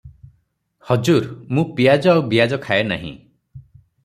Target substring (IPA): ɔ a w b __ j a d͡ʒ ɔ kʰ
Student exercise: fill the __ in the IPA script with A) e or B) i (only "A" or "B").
B